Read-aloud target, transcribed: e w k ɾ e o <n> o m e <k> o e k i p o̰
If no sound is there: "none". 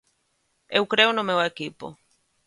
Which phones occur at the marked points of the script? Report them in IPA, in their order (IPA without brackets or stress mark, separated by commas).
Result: n, none